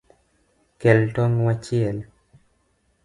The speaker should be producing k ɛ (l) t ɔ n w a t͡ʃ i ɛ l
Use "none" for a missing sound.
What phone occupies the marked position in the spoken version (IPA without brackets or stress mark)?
l